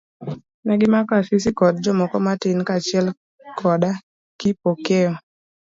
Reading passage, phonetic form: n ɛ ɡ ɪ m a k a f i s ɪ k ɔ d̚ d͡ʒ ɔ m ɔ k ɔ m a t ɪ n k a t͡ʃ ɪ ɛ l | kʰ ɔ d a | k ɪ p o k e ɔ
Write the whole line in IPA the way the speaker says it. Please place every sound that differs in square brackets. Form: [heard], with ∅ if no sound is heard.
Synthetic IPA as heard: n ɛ ɡ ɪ m a k a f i s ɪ k ɔ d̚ d͡ʒ ɔ m ɔ k ɔ m a t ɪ n k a t͡ʃ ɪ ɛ l | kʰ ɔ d a | k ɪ p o k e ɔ